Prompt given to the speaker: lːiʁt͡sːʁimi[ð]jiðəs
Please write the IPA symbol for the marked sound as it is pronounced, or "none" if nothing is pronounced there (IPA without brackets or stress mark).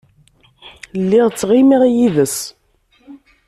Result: ʁ